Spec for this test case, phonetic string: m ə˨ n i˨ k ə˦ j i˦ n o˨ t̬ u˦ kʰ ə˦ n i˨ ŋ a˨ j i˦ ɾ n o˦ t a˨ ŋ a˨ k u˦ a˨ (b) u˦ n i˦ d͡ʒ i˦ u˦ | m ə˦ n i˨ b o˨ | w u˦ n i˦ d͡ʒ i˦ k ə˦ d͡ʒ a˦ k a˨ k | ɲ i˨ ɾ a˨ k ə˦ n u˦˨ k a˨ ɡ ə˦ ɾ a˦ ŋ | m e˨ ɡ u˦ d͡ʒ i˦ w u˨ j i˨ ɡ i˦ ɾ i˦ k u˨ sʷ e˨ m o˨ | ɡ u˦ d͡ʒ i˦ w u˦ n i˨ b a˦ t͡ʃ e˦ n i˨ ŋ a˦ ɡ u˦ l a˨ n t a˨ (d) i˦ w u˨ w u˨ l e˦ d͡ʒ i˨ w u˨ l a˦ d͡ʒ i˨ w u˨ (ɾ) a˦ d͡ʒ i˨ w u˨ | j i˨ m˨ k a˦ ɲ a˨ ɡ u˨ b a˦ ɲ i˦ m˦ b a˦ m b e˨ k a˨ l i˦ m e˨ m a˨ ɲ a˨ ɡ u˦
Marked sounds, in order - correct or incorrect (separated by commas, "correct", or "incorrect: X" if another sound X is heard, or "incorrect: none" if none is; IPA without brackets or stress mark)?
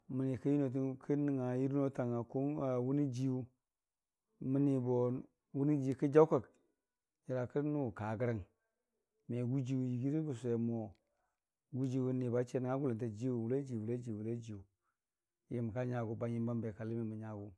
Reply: incorrect: w, incorrect: d͡ʒ, incorrect: l